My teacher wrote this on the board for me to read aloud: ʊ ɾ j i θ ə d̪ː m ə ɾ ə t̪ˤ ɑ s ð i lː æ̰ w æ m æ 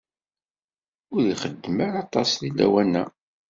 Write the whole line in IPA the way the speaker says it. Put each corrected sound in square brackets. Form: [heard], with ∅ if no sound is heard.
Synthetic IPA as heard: ʊ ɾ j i [χ] ə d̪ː m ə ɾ [ɑ] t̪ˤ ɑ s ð i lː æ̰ w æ [n] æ